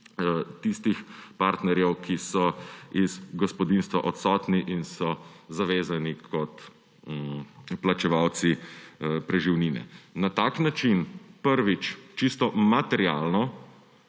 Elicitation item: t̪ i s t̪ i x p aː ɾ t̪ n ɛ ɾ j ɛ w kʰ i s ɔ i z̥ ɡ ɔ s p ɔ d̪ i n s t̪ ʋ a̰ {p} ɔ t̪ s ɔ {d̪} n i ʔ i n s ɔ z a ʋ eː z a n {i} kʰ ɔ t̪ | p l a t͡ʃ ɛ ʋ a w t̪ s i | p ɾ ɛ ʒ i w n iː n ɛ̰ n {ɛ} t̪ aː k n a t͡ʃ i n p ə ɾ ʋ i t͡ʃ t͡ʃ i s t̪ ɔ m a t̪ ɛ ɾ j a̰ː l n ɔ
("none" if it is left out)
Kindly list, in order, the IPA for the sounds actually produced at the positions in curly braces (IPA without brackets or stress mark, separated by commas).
ʔ, t̪, i, a